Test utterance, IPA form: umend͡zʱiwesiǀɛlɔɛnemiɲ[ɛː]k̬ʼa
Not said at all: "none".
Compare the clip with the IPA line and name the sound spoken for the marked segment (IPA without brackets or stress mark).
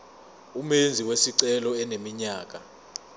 aː